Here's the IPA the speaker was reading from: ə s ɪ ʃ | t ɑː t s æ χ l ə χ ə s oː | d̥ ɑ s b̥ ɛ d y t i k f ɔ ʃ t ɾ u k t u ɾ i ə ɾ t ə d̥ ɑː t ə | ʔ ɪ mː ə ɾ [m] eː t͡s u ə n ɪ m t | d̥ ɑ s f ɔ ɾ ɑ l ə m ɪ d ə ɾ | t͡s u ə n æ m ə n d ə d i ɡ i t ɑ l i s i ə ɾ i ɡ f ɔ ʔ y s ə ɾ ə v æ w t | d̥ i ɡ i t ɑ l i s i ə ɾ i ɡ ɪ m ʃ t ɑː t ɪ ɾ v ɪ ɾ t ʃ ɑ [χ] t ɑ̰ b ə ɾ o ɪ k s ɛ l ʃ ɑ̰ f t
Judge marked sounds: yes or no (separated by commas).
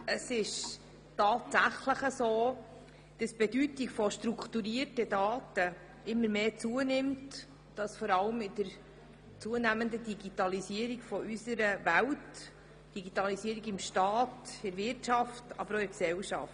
yes, no